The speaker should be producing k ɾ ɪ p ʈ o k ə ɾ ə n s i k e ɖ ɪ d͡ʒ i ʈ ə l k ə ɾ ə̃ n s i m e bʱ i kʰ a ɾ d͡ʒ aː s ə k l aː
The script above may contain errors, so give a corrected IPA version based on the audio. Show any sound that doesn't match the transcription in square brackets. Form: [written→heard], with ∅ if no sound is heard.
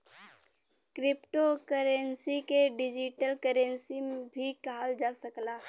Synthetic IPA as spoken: k ɾ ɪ p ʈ o k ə ɾ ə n s i k e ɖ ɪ d͡ʒ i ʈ ə l k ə ɾ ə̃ n s i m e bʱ i [kʰ→k] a [ɾ→l] d͡ʒ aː s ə k l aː